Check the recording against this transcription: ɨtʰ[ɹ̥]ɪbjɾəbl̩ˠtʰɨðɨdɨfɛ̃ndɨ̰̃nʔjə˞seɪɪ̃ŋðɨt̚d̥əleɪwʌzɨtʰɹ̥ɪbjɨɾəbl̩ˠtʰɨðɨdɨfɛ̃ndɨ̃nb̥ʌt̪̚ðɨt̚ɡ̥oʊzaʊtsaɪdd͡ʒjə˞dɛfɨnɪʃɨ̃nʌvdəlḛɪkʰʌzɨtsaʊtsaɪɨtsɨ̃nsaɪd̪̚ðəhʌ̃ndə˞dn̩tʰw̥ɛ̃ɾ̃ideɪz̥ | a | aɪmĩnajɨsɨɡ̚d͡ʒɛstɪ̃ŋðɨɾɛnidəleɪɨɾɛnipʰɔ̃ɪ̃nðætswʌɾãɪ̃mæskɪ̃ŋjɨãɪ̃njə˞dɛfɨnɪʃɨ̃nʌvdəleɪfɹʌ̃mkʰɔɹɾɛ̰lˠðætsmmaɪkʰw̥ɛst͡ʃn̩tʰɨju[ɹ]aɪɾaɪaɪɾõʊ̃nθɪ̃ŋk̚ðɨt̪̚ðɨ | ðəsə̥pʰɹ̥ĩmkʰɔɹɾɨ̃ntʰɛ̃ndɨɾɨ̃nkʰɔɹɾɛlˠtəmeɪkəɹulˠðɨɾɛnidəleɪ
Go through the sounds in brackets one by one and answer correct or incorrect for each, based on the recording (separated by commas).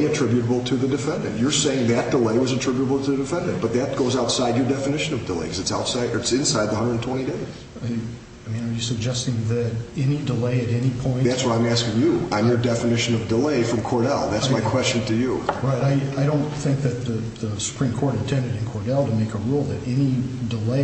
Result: correct, correct